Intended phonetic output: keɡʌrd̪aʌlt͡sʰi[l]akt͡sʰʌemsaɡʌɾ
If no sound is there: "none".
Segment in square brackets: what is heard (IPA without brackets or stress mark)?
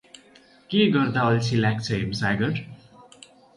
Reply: l